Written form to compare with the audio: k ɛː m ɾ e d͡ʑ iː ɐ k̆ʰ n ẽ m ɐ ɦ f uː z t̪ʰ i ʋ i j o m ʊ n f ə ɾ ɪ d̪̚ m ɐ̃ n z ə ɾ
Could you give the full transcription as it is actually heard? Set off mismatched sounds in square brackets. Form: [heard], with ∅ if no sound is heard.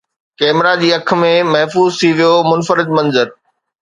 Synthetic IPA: k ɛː m ɾ [a] d͡ʑ iː ɐ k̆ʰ [m] ẽ m ɐ ɦ f uː z t̪ʰ i ʋ i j o m ʊ n f ə ɾ ɪ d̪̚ m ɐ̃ n z ə ɾ